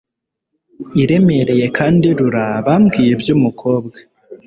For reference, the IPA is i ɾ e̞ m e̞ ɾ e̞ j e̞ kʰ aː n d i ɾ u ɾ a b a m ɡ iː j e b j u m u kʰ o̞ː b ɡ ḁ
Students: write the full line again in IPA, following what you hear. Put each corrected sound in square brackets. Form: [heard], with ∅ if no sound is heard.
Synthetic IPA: i ɾ e̞ m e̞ ɾ e̞ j e̞ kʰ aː n d i ɾ u ɾ a [β] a m ɡ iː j e b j u m u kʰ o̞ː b ɡ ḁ